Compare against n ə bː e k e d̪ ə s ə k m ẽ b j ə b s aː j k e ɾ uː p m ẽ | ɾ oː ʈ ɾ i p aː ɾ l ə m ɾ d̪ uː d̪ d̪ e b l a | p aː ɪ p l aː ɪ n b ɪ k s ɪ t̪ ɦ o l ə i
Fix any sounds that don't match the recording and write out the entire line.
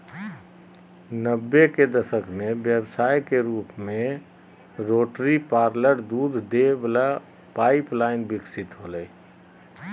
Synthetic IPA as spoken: n ə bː e k e d̪ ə s ə k m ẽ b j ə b s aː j k e ɾ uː p m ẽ | ɾ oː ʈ ɾ i p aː ɾ l ə ɾ d̪ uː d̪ d̪ e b l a | p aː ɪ p l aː ɪ n b ɪ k s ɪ t̪ ɦ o l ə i